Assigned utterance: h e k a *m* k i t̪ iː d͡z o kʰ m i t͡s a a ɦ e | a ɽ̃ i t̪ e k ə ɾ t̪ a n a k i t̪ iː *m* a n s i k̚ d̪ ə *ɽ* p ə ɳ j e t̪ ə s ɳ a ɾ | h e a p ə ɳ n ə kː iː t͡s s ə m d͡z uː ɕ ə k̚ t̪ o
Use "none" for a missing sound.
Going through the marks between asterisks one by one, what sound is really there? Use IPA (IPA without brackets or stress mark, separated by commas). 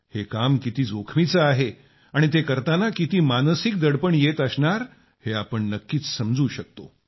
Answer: m, m, ɽ